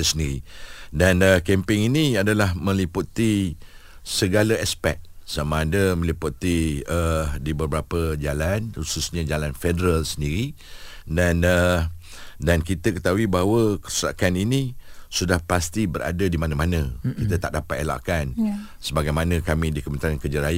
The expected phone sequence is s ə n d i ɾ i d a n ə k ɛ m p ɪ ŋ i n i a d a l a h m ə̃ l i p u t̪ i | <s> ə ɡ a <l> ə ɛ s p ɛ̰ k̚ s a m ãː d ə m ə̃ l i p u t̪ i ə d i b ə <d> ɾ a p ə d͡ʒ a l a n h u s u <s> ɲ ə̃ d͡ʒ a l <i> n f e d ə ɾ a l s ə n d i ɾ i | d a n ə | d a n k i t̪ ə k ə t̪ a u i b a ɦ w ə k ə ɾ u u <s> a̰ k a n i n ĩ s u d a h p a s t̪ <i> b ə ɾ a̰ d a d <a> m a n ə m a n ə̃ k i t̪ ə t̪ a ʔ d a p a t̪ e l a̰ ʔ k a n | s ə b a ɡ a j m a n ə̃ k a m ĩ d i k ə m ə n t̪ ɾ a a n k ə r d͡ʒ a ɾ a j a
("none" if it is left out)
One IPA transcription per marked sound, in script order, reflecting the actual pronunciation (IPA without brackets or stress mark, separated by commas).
s, l, b, s, a, s, i, i